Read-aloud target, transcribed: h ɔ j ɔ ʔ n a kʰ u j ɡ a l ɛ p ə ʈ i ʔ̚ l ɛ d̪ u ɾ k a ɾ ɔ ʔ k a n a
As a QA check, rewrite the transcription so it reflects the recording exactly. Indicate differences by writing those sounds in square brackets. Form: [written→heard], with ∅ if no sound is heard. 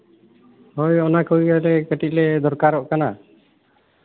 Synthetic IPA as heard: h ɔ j ɔ [ʔ→∅] n a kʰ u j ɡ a l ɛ [p→k] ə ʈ i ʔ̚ l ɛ d̪ [u→ɔ] ɾ k a ɾ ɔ ʔ k a n a